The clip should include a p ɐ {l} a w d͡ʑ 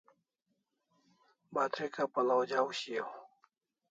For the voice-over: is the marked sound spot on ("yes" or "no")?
yes